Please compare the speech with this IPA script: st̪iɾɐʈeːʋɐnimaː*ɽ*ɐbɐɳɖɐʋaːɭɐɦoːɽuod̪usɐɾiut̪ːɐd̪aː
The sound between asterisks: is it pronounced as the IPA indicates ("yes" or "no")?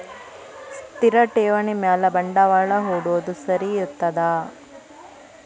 no